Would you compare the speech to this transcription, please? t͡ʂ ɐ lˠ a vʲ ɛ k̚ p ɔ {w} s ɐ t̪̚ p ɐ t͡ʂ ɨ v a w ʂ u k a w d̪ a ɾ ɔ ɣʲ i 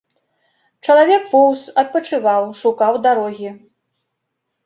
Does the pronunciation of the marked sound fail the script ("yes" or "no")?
no